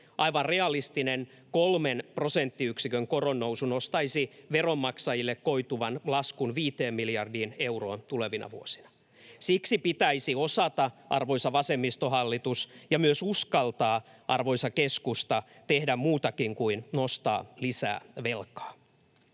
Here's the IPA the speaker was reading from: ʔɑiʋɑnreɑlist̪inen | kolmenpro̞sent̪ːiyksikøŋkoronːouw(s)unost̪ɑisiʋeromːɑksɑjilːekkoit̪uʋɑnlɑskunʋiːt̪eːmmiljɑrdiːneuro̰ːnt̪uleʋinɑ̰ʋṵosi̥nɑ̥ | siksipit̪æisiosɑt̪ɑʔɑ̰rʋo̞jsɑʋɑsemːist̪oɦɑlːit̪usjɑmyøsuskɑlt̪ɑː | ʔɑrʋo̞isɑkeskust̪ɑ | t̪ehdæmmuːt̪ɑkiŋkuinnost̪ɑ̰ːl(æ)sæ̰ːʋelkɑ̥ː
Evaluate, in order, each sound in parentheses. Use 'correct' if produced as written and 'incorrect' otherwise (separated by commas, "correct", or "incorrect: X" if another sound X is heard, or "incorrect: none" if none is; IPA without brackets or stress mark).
correct, incorrect: i